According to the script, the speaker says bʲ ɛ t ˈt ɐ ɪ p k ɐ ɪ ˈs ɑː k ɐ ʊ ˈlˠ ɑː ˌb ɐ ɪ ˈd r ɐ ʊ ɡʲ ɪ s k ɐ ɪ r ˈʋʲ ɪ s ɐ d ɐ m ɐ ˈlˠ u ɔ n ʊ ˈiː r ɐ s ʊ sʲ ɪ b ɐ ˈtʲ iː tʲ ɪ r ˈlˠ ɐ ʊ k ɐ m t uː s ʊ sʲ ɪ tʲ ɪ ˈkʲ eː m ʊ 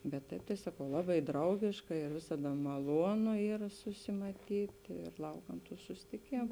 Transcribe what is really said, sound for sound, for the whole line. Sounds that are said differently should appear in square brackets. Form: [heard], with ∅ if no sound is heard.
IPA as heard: bʲ ɛ t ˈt ɐ ɪ p [t] ɐ ɪ ˈs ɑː k ɐ ʊ ˈlˠ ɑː ˌb ɐ ɪ ˈd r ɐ ʊ ɡʲ ɪ [ʃ] k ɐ ɪ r ˈʋʲ ɪ s ɐ d ɐ m ɐ ˈlˠ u ɔ n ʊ ˈiː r ɐ s ʊ sʲ ɪ [m] ɐ ˈtʲ iː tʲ ɪ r ˈlˠ ɐ ʊ k ɐ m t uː s ʊ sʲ ɪ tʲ ɪ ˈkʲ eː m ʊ